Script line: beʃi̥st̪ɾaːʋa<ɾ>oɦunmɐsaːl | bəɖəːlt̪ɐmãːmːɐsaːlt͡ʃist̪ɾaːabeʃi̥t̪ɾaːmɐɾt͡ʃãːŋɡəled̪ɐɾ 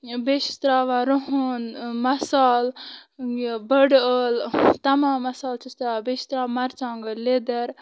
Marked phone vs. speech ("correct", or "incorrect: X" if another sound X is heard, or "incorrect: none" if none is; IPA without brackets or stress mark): correct